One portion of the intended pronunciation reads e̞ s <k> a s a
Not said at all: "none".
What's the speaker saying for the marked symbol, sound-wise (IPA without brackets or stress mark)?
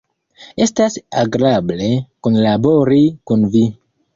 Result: t